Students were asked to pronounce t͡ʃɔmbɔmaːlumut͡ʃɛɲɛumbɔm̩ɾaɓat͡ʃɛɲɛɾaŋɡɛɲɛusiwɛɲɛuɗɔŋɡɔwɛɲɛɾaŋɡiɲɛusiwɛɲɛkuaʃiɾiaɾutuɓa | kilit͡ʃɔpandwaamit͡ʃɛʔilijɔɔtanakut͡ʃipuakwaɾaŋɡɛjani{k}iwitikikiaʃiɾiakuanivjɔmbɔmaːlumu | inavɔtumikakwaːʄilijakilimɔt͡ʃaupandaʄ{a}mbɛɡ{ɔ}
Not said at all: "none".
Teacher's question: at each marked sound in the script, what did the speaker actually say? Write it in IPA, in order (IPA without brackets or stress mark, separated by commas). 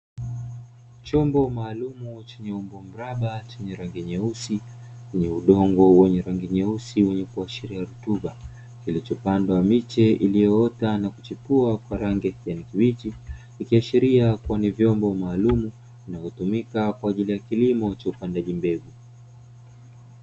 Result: k, i, u